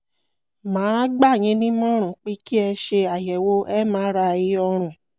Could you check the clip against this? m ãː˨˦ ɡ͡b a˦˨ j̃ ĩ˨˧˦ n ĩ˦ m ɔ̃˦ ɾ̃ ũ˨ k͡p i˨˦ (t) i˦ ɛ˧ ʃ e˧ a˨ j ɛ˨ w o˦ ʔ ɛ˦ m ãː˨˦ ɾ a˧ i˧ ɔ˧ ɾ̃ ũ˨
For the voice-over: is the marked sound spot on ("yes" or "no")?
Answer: no